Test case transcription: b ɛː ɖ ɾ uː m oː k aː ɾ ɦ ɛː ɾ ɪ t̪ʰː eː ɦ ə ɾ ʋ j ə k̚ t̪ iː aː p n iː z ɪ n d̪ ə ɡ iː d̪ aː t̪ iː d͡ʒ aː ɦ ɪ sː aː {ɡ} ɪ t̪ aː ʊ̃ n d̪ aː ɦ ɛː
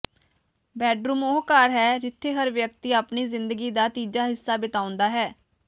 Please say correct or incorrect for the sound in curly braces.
incorrect